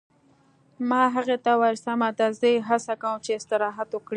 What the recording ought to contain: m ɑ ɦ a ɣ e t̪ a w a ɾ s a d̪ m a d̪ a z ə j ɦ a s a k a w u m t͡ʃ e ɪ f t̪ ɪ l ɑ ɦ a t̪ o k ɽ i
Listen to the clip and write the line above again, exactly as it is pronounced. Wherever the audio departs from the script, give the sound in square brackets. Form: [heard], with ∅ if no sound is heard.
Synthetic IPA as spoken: m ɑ ɦ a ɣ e t̪ a w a ɾ s a [∅] m a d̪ a z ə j ɦ a s a k a w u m t͡ʃ e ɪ [s] t̪ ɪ [ɾ] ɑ ɦ a t̪ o k ɽ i